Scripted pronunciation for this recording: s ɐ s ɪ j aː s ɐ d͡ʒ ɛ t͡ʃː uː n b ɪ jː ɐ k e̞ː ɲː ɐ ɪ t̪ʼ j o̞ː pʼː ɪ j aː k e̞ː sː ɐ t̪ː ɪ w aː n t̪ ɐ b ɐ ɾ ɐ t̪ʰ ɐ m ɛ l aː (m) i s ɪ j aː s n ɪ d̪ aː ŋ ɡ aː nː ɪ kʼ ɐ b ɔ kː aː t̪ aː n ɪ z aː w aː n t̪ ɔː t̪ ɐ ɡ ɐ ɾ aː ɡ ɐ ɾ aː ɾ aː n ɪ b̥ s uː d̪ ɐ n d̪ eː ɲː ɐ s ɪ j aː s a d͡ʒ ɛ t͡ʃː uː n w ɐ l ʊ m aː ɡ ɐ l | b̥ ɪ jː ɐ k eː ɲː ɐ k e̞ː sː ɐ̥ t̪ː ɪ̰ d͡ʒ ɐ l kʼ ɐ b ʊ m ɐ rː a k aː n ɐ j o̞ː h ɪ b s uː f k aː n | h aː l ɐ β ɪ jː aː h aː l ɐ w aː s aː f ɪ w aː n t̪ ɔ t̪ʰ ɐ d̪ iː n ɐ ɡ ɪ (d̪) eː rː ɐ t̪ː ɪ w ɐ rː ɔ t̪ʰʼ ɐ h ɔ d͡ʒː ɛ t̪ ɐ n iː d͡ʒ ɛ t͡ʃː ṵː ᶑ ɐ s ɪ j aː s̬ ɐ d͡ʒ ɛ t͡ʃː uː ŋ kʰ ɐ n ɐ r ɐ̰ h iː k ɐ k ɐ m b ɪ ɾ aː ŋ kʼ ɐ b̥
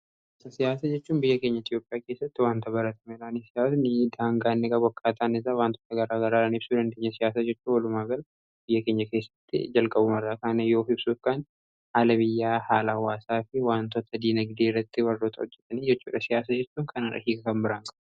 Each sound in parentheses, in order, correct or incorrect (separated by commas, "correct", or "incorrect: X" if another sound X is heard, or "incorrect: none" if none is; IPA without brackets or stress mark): incorrect: n, correct